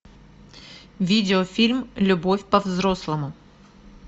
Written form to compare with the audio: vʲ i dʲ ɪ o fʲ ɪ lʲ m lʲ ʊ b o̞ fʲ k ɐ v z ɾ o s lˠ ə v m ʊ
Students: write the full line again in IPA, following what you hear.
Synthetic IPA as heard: vʲ i dʲ ɪ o fʲ i lʲ m lʲ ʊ b o̞ fʲ p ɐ v z ɾ o s lˠ ə m ʊ